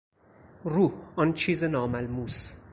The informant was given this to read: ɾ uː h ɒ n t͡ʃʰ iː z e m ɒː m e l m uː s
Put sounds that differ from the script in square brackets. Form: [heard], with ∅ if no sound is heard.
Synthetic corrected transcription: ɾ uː h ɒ n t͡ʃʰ iː z e [n] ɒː m [æ] l m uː s